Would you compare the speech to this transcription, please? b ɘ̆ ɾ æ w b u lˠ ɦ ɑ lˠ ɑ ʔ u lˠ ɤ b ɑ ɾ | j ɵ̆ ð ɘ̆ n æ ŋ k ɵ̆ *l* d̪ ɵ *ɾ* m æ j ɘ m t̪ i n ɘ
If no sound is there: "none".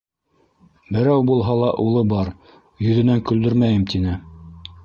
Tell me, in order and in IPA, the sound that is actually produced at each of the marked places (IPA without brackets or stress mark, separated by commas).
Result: l, ɾ